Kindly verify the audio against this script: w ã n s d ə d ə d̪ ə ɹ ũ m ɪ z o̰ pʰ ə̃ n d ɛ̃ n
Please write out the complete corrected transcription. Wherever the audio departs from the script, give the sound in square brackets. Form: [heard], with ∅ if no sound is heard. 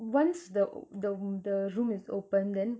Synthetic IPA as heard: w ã n s d ə d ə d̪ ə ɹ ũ m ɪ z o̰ [p] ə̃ n d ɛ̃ n